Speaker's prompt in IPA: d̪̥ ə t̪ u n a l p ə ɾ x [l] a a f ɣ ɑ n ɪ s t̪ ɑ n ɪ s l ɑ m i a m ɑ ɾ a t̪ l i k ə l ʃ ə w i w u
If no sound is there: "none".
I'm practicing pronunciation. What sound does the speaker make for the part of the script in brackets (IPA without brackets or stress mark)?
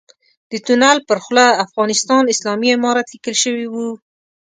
l